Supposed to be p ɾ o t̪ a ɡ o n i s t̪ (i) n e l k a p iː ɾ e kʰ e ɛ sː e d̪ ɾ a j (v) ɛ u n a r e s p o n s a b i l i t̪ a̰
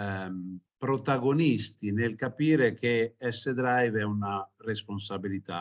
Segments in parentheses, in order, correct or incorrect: correct, correct

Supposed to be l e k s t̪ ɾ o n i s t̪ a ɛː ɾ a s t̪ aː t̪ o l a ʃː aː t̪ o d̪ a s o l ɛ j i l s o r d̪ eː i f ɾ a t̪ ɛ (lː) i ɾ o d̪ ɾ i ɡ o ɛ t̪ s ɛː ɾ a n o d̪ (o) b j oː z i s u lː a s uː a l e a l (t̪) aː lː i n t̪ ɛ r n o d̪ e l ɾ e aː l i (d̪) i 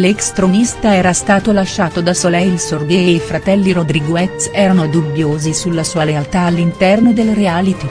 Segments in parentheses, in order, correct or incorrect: correct, incorrect: u, correct, incorrect: t̪

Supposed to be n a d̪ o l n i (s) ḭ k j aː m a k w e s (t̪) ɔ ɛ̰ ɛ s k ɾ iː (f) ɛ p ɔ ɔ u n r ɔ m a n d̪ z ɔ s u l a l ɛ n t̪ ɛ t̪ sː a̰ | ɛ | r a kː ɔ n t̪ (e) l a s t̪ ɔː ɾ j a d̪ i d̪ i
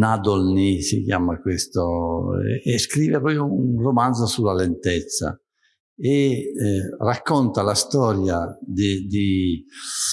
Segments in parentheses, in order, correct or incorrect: correct, correct, incorrect: v, incorrect: a

